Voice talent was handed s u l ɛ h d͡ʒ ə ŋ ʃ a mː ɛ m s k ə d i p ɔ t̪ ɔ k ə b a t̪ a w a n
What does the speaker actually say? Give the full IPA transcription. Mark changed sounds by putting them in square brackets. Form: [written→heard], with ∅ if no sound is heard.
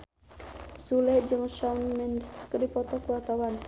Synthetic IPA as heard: s u l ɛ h d͡ʒ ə ŋ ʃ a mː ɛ [m→n] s k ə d i p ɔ t̪ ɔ k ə [b→w] a t̪ a w a n